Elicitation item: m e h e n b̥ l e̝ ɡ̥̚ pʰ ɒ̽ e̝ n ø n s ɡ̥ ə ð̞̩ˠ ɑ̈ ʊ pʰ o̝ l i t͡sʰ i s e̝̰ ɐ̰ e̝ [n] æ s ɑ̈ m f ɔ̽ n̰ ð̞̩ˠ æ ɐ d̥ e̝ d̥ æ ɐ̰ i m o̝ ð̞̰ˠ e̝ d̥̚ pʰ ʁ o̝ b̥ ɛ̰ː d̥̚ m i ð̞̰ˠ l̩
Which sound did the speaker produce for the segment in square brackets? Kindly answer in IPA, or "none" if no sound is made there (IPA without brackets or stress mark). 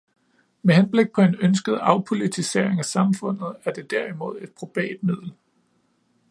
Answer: ŋ